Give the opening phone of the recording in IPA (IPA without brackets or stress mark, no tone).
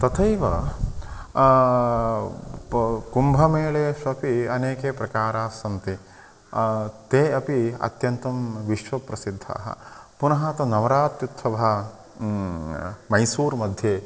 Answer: t̪